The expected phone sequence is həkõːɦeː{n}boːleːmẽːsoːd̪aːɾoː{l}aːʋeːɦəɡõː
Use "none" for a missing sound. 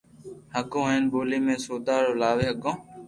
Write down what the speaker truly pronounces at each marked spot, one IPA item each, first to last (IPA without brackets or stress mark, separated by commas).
n, l